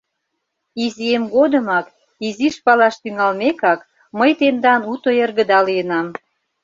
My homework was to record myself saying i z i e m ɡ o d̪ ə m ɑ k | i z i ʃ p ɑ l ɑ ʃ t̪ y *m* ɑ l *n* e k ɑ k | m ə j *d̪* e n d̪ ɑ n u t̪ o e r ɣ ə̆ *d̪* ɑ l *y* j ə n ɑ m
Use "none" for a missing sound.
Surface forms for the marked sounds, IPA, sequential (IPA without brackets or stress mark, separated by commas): ŋ, m, t̪, d̪, i